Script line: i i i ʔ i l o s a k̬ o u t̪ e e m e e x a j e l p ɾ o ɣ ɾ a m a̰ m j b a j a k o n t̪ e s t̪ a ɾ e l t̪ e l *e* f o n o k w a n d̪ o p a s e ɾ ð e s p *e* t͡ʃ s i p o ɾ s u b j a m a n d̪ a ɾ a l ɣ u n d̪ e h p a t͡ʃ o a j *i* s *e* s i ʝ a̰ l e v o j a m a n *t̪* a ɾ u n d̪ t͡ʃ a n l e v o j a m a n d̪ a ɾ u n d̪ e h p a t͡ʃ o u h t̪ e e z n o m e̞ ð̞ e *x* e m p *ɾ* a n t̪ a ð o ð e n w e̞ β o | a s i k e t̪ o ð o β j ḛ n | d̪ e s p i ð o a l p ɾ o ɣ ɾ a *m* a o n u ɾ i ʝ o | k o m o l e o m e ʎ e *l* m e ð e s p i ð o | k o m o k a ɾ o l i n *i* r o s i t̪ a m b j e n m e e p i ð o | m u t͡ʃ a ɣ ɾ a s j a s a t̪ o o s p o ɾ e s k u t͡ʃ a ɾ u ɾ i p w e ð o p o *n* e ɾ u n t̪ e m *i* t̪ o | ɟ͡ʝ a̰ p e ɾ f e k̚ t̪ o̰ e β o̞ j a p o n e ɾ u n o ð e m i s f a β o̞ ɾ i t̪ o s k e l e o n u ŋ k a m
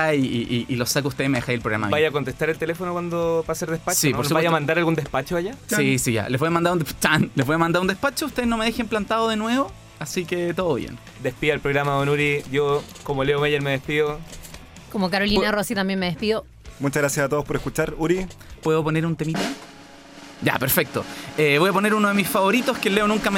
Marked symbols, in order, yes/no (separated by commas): yes, no, no, no, no, yes, no, yes, no, no, yes, yes